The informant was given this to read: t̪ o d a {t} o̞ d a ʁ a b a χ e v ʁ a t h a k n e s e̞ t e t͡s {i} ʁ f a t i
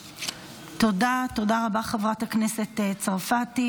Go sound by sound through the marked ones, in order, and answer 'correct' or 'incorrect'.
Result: correct, incorrect: a

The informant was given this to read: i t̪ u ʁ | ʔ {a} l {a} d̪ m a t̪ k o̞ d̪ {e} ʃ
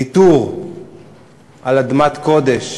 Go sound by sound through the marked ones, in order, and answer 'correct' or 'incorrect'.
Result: correct, correct, correct

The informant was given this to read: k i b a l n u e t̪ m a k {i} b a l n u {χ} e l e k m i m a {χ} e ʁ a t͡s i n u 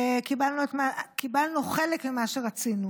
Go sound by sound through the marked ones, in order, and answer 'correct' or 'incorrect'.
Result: correct, correct, incorrect: ʃ

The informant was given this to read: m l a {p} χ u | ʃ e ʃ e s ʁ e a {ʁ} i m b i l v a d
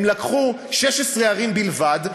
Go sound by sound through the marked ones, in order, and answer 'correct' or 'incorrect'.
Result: incorrect: k, correct

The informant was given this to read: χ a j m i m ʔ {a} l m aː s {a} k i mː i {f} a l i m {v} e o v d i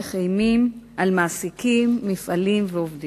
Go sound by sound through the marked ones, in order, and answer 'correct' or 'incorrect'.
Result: correct, incorrect: i, correct, correct

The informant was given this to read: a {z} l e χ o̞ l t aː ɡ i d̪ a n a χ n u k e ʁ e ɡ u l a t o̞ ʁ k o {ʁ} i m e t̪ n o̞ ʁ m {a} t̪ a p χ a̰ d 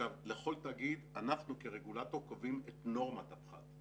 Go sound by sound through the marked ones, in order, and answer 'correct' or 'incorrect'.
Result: incorrect: v, incorrect: v, correct

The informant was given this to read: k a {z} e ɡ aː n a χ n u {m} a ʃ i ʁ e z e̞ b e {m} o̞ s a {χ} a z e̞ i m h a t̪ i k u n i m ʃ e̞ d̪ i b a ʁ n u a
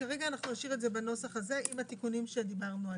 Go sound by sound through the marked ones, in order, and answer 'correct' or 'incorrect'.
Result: incorrect: ʁ, incorrect: n, incorrect: n, correct

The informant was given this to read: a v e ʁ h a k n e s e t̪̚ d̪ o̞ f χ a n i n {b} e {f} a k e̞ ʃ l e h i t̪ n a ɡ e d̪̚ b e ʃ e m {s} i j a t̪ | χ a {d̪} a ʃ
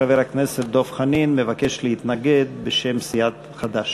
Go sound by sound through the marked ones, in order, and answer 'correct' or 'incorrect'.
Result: incorrect: m, incorrect: v, correct, correct

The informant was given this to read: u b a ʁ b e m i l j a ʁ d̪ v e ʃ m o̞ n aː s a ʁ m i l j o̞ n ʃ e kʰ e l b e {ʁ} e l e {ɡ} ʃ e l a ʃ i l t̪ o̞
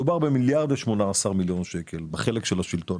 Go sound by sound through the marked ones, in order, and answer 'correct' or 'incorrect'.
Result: incorrect: χ, incorrect: k

